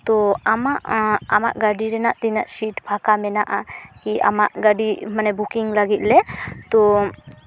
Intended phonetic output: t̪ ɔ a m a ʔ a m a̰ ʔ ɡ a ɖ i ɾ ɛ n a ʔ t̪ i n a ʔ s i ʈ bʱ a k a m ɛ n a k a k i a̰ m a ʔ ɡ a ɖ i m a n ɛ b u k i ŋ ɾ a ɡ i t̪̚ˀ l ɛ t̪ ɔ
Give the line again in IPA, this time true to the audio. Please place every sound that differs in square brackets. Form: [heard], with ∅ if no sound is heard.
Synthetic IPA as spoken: t̪ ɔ a m a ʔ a m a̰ ʔ ɡ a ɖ i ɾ ɛ n a ʔ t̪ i n a ʔ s i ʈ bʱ a k a m ɛ n a [ʔ] a k i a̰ m a ʔ ɡ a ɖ i m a n ɛ b u k i ŋ [l] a ɡ i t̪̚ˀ l ɛ t̪ ɔ